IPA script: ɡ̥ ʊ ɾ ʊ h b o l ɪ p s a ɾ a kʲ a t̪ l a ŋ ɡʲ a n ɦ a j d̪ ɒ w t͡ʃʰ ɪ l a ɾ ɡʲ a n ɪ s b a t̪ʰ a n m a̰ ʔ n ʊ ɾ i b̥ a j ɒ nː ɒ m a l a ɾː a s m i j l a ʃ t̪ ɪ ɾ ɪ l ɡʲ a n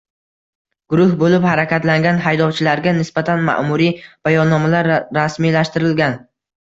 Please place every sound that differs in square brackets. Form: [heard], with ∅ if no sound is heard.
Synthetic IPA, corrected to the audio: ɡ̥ ʊ ɾ ʊ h b o l ɪ p [h] a ɾ a kʲ a t̪ l a ŋ ɡʲ a n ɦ a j d̪ ɒ w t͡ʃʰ ɪ l a ɾ ɡʲ a n ɪ s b a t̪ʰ a n m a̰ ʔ [m] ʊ ɾ i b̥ a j ɒ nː ɒ m a l a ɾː a s m i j l a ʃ t̪ ɪ ɾ ɪ l ɡʲ a n